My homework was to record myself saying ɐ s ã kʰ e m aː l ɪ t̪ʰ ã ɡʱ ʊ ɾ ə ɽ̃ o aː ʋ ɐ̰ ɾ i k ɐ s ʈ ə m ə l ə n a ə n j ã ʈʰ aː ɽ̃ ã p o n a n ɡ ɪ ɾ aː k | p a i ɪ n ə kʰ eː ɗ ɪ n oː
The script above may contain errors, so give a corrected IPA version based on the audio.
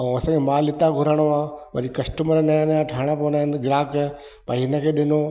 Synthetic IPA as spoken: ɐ s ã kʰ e m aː l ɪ t̪ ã ɡʱ ʊ ɾ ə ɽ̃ o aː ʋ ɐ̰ ɾ i k ɐ s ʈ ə m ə ɾ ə n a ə n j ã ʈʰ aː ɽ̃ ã p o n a n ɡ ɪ ɾ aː k | p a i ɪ n ə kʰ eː ɗ ɪ n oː